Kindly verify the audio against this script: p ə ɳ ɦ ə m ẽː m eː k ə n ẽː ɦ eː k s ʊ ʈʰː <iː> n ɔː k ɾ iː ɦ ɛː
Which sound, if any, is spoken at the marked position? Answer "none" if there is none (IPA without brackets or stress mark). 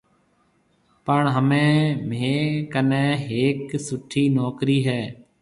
iː